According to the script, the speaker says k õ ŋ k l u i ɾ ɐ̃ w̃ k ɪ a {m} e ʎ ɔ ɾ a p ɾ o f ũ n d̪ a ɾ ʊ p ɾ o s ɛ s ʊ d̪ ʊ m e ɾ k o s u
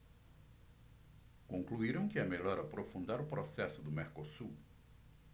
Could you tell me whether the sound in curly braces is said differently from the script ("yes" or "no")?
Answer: no